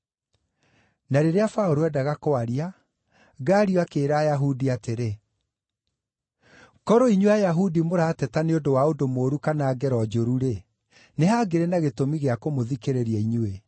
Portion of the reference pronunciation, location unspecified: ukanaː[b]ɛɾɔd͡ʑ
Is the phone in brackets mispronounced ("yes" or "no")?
yes